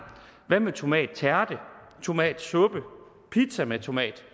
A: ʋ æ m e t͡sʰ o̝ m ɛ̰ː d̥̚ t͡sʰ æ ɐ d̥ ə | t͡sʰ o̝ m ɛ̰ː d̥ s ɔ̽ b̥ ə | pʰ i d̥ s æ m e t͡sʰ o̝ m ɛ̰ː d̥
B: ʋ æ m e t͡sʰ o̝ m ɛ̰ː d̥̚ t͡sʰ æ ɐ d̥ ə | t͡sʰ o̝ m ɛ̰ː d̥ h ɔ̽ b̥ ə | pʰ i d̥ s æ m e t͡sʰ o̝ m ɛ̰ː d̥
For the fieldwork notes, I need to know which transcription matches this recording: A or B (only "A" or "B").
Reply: A